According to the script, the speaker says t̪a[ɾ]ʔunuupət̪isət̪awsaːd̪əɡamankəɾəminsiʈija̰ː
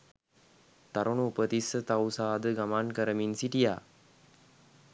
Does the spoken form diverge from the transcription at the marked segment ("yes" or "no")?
no